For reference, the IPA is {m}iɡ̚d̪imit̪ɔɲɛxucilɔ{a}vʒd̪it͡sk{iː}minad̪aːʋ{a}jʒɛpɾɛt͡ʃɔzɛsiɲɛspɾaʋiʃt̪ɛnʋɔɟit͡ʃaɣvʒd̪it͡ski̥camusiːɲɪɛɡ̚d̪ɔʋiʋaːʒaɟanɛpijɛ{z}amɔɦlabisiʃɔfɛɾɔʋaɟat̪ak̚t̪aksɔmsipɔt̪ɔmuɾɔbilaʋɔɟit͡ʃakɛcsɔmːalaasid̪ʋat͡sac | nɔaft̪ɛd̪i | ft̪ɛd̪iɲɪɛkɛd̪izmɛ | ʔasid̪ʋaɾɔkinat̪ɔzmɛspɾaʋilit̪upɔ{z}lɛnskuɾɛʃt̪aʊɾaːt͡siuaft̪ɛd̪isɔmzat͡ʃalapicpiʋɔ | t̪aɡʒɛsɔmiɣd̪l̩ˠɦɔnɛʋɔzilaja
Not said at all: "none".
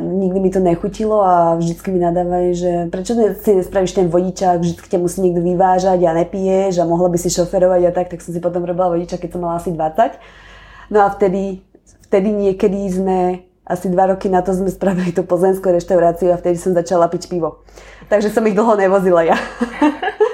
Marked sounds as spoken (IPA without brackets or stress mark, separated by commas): ɲ, a, i, a, ʒ, z